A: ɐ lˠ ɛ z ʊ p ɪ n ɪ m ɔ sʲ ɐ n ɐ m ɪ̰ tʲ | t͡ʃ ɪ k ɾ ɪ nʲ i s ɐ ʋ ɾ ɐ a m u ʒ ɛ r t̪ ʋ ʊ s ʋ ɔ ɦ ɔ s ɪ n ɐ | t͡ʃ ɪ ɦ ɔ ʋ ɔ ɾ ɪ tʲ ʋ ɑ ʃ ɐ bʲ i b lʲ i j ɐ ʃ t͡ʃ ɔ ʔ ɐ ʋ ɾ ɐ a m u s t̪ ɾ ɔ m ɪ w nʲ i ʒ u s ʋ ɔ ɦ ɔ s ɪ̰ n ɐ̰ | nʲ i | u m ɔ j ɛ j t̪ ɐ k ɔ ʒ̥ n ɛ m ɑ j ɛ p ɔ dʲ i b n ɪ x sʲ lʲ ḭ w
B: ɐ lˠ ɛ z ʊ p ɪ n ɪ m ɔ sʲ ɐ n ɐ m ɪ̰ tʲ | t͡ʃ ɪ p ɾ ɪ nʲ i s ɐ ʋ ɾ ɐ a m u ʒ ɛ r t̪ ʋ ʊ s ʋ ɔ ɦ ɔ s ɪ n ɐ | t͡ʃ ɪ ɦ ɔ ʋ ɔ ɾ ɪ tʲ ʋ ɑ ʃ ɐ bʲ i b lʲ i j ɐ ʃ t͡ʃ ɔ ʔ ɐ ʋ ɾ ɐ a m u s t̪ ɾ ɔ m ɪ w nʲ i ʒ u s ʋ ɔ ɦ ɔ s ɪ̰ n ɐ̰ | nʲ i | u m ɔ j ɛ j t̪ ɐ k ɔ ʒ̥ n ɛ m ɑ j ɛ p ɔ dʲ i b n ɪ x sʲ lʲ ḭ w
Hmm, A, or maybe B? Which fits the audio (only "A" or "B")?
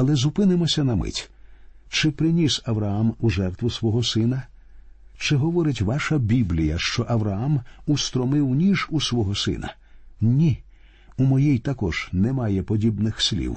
B